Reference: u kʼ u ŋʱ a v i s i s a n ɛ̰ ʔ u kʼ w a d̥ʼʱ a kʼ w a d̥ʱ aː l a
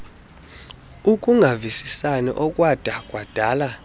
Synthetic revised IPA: u kʼ u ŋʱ a v i s i s a n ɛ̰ ʔ ɔ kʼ w a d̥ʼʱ a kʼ w a d̥ʱ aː l a